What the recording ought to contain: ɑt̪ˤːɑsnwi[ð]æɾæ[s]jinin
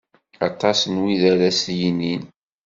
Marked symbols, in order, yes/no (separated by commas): yes, yes